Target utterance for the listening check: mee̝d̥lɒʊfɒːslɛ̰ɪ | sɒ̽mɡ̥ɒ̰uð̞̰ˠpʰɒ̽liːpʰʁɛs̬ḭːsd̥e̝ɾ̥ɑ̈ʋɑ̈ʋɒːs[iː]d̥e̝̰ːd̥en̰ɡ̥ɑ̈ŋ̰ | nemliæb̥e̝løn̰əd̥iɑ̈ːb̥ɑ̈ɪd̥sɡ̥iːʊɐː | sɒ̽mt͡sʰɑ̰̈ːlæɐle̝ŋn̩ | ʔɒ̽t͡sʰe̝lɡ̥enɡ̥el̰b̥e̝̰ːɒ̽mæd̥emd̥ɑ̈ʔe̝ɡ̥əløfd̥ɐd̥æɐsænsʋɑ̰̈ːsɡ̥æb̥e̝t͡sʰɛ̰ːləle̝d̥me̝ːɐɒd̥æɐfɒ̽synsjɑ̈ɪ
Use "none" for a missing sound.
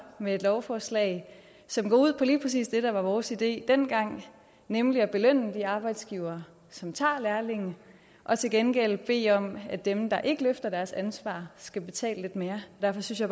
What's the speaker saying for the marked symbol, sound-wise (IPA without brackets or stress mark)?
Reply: i